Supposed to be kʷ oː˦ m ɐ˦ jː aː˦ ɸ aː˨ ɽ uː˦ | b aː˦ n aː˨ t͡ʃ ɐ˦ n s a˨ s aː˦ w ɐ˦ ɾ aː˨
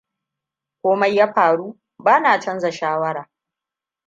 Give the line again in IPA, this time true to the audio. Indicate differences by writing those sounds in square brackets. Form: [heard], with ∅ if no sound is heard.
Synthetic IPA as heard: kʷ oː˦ m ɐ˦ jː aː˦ ɸ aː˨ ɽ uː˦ | b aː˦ n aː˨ t͡ʃ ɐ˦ n [z] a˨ [ʃ] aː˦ w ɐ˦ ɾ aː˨

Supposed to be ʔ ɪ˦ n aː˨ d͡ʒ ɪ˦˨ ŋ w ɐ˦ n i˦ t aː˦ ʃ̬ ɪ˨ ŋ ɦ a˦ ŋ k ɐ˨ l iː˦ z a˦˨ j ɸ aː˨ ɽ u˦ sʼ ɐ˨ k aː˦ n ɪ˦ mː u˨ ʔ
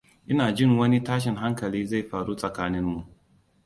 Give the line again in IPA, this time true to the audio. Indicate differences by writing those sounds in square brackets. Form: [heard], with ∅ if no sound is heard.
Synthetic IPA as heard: ʔ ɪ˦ n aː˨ d͡ʒ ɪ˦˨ ŋ w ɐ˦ n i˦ t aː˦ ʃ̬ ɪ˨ ŋ ɦ a˦ ŋ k ɐ˨ l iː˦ z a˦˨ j ɸ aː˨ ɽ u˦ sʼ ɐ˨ k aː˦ n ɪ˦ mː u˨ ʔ

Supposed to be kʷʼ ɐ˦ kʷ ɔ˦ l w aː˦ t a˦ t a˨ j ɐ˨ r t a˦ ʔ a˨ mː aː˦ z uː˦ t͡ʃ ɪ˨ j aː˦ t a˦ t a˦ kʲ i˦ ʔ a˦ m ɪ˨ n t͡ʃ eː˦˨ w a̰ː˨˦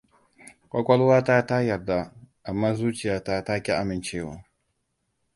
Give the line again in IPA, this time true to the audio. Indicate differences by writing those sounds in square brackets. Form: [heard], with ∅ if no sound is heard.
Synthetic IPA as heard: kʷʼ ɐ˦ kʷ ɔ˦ l w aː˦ t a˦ t [a˦] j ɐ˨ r [d] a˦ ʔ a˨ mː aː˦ z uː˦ t͡ʃ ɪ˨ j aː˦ t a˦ t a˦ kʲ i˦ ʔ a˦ m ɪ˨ n t͡ʃ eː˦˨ w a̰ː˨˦

